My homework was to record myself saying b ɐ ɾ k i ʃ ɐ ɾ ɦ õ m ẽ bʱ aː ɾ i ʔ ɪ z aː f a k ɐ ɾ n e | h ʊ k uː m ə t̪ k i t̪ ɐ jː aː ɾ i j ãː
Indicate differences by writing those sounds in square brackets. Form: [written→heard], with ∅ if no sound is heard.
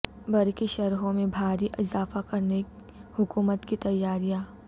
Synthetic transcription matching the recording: b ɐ ɾ k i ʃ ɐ ɾ ɦ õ m ẽ bʱ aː ɾ i ʔ ɪ z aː f a k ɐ ɾ n e | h ʊ k uː m ə t̪ k i t̪ ɐ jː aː ɾ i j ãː